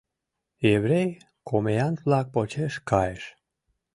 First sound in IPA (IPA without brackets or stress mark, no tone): e